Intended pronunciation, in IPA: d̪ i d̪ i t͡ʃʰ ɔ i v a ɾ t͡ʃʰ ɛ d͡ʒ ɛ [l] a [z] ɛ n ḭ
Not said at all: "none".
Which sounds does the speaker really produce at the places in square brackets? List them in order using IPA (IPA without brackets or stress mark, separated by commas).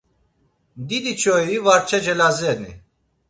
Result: l, z